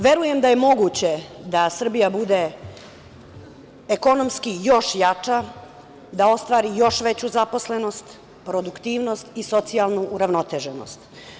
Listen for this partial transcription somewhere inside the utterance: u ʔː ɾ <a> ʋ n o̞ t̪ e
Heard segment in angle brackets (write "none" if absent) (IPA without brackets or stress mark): a